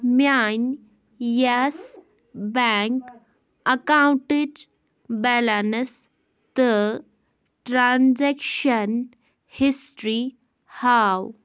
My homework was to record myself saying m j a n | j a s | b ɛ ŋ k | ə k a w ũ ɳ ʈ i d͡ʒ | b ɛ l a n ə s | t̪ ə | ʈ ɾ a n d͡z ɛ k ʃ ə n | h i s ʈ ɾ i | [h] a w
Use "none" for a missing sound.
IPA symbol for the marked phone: h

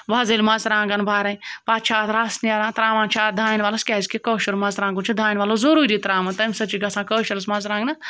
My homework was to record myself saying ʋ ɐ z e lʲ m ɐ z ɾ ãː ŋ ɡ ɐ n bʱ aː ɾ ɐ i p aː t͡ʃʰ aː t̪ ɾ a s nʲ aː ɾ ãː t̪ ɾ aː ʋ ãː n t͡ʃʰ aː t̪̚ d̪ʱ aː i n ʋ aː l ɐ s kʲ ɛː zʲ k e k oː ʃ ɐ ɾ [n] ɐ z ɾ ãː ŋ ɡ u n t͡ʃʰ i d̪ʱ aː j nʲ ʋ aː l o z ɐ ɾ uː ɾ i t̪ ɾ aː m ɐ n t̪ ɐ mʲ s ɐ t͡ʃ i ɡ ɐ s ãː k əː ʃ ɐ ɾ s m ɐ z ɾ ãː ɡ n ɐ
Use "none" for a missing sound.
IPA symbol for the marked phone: m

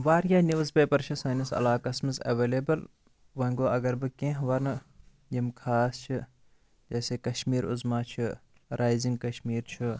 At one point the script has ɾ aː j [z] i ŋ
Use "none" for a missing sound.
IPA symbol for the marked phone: z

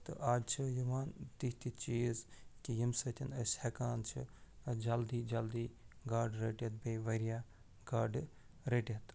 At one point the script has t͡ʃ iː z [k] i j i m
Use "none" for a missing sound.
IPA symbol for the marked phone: k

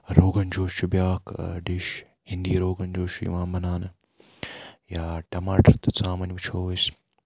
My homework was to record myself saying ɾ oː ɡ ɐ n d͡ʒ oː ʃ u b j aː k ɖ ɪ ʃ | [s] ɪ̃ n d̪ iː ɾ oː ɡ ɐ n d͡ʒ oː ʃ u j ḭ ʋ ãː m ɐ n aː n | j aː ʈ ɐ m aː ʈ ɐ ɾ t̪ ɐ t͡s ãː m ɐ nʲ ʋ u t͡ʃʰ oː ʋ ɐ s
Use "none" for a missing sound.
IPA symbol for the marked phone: h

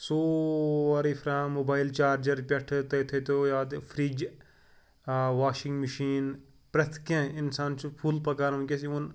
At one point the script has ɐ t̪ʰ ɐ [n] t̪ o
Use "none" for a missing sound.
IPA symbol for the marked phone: none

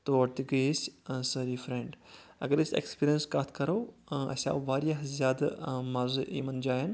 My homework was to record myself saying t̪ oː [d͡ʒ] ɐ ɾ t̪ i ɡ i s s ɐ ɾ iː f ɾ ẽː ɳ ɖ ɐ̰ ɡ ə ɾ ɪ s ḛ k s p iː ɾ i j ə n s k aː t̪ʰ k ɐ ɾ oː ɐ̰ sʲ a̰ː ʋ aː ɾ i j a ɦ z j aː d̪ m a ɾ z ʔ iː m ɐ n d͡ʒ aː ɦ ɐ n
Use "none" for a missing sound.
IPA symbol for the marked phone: none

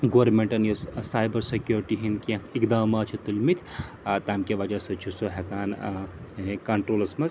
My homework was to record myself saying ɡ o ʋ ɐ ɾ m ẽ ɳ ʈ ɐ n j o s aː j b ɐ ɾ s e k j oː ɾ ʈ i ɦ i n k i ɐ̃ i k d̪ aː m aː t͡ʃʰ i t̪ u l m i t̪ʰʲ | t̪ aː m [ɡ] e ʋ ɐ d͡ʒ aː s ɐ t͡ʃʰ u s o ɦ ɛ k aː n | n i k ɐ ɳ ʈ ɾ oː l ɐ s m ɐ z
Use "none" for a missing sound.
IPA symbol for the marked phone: k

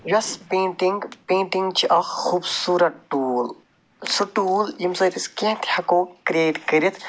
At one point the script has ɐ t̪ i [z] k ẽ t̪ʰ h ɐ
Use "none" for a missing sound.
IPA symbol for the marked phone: s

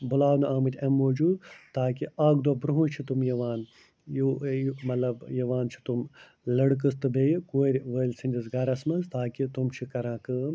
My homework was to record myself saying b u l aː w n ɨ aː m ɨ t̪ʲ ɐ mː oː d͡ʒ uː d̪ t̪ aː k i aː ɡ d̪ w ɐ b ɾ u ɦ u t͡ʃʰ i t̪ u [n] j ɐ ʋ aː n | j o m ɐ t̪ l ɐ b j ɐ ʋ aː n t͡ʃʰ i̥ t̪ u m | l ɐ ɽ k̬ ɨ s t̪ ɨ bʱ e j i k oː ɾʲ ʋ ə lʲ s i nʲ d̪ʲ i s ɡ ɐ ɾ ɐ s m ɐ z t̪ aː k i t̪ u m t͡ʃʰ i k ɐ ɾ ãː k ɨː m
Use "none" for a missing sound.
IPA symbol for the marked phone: m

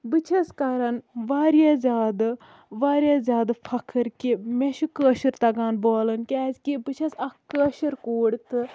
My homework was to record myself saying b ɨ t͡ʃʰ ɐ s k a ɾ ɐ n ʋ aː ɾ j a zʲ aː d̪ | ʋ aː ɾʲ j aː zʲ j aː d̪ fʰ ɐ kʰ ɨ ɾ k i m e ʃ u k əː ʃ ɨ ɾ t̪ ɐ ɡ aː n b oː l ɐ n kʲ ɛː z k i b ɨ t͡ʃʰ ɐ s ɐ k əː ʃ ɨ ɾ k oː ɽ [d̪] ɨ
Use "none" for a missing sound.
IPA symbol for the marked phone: t̪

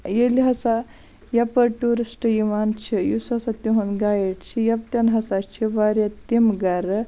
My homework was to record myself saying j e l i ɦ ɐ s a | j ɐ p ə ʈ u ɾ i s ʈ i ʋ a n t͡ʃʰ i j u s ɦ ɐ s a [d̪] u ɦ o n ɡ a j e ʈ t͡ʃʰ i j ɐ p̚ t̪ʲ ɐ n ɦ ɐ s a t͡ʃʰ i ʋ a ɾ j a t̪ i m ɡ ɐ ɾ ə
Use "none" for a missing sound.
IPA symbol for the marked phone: t̪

